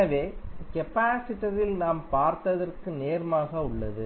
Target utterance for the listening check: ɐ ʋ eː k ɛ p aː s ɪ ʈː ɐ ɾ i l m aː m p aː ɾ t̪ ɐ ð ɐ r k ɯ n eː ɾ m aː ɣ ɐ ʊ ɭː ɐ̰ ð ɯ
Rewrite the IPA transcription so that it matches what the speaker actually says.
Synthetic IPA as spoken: ɐ ʋ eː k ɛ p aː s ɪ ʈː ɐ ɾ ɪ l n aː m p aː ɾ t̪ ɐ ð ɐ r k ɯ n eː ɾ m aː ɣ ɐ ʊ ɭː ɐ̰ ð ɯ